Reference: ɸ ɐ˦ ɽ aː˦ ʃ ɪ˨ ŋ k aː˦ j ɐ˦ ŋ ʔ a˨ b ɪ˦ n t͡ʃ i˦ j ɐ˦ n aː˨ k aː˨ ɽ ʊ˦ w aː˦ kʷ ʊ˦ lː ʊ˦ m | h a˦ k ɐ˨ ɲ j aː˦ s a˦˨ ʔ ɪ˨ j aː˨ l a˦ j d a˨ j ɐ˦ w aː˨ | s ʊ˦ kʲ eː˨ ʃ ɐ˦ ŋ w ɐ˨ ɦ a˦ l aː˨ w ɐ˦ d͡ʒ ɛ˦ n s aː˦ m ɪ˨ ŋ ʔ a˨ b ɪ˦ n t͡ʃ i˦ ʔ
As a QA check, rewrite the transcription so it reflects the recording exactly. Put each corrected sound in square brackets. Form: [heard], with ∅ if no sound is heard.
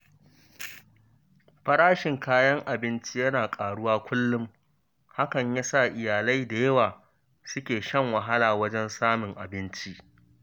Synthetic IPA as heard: ɸ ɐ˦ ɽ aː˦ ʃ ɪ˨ ŋ k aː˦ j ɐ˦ ŋ ʔ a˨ b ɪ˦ n t͡ʃ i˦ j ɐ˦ n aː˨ [kʼ] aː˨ ɽ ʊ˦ w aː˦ kʷ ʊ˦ lː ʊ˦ m | h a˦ k ɐ˨ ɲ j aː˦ s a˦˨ ʔ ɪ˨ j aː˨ l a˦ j d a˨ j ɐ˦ w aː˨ | s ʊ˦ kʲ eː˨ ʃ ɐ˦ ŋ w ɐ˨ ɦ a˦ l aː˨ w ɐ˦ d͡ʒ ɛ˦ n s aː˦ m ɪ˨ ŋ ʔ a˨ b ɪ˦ n t͡ʃ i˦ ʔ